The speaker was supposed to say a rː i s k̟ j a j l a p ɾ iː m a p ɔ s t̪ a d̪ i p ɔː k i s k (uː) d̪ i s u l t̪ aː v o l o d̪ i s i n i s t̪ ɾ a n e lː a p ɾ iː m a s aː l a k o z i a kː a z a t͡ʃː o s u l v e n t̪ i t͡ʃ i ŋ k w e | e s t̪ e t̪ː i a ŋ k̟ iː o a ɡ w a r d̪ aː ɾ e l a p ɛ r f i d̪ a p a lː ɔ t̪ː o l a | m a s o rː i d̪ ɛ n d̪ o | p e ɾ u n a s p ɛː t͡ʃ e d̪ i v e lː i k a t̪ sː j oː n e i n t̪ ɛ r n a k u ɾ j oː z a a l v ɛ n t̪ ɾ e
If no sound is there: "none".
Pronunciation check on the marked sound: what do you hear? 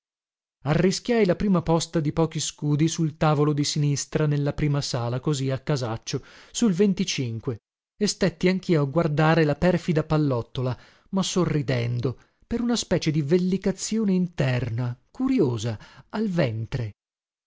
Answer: uː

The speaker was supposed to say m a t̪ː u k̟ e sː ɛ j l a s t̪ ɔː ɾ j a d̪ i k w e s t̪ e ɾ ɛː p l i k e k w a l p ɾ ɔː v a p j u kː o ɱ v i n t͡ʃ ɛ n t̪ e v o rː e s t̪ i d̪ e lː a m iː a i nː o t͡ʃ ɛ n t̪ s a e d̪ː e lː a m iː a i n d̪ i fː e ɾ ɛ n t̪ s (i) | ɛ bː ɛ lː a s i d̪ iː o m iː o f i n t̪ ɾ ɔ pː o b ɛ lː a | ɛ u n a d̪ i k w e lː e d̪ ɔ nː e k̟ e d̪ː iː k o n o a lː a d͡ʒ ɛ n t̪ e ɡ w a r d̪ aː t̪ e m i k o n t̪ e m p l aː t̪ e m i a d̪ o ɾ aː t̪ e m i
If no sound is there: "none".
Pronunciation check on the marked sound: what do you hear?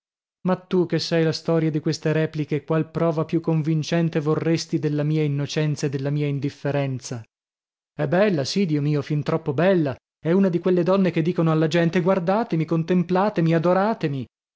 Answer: a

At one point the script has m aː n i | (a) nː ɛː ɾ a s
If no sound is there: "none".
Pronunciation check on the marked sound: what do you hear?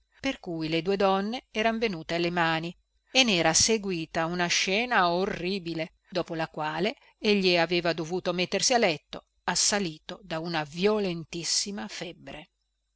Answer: e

